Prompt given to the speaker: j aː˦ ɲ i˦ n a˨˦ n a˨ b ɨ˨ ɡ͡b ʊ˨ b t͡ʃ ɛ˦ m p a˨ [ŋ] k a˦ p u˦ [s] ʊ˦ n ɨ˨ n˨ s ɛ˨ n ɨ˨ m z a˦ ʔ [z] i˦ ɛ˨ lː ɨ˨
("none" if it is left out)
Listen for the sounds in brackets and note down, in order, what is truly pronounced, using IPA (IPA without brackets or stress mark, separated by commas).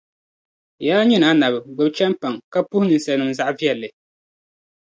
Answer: ŋ, h, v